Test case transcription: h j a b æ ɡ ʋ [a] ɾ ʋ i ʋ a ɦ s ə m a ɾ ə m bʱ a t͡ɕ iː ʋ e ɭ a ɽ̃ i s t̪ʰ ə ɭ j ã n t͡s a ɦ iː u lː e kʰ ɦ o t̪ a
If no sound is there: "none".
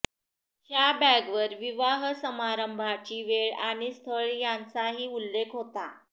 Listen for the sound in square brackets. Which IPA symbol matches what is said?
ə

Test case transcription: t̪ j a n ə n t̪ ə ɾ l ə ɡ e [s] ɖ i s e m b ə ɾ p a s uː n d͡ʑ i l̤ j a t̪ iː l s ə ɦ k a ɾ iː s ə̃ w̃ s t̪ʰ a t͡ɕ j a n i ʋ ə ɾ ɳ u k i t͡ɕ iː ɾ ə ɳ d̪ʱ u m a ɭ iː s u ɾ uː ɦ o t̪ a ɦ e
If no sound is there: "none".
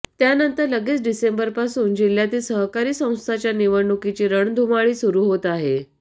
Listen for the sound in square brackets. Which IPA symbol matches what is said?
t͡s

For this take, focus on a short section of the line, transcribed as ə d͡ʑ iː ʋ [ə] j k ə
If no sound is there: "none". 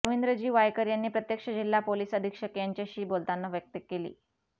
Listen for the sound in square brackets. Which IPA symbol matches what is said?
a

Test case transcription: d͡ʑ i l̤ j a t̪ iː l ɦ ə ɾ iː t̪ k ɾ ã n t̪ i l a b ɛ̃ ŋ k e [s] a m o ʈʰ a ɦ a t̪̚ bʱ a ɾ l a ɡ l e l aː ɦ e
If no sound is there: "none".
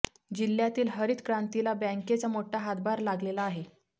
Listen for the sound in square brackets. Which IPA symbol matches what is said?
t͡s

